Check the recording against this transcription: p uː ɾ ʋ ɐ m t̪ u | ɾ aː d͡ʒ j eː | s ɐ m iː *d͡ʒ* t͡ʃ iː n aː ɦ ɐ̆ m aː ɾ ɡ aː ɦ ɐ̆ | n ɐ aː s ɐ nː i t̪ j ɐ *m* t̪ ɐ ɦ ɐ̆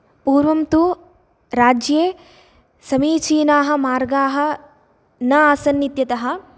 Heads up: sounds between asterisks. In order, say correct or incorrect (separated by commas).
incorrect, incorrect